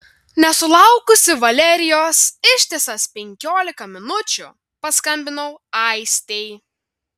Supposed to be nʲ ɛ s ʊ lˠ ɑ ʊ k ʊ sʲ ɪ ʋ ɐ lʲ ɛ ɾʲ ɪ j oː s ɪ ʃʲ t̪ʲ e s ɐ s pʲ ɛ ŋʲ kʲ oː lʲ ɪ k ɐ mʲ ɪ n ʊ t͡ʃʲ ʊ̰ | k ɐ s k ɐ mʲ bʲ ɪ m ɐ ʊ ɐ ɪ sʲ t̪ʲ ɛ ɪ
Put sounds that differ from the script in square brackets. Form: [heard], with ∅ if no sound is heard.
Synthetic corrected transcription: nʲ ɛ s ʊ lˠ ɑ ʊ k ʊ sʲ ɪ ʋ ɐ lʲ ɛ ɾʲ ɪ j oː s ɪ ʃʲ t̪ʲ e s ɐ s pʲ ɛ ŋʲ kʲ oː lʲ ɪ k ɐ mʲ ɪ n ʊ t͡ʃʲ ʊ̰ | [p] ɐ s k ɐ mʲ bʲ ɪ [n] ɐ ʊ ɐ ɪ sʲ t̪ʲ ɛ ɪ